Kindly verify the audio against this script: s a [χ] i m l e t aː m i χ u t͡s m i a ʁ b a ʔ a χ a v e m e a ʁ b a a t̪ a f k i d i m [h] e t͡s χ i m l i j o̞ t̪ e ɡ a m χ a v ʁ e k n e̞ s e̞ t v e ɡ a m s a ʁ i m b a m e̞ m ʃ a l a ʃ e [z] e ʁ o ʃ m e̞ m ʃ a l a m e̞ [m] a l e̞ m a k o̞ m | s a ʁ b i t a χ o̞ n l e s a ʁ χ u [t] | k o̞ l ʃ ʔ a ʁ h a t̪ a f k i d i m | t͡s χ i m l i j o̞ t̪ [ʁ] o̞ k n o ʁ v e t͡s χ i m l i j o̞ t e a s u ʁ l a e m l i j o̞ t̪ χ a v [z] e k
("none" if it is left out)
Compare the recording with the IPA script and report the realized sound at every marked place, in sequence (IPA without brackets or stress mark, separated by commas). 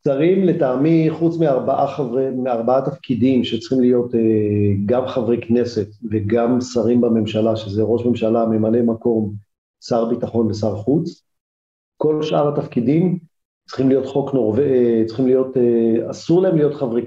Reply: ʁ, ʃ, z, m, t͡s, χ, ʁ